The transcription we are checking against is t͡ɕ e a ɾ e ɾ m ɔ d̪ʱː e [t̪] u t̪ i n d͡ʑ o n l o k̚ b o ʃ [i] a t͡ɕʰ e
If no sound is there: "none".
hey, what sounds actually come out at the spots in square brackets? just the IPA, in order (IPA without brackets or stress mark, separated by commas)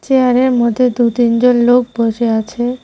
d̪, e